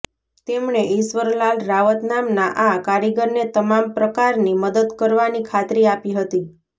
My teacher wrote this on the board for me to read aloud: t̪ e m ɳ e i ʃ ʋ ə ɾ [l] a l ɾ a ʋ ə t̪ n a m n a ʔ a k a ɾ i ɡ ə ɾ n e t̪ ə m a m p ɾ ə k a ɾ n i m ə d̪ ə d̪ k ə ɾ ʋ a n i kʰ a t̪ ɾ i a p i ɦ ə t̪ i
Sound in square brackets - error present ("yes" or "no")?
no